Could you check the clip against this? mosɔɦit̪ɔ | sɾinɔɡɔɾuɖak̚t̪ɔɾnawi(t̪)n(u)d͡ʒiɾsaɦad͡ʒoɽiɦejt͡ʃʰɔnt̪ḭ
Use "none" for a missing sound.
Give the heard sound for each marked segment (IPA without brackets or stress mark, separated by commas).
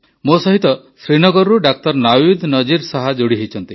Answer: d̪, ɔ